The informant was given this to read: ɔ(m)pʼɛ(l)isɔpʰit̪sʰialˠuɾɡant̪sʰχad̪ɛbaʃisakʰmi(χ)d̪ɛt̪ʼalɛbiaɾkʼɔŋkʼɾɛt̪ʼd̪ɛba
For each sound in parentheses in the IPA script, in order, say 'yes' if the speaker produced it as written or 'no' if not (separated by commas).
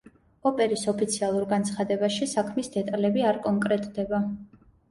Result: no, no, no